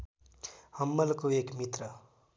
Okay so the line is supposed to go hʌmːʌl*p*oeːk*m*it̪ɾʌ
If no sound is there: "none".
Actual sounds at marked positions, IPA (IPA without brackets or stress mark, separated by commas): k, m